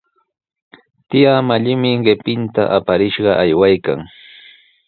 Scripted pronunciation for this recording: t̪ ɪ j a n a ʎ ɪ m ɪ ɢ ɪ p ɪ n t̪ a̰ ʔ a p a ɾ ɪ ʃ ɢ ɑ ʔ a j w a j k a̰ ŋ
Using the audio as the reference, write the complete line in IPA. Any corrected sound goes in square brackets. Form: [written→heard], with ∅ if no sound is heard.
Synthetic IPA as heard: t̪ ɪ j a [n→m] a ʎ ɪ m ɪ ɢ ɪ p ɪ n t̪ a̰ ʔ a p a ɾ ɪ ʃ ɢ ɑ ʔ a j w a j k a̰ ŋ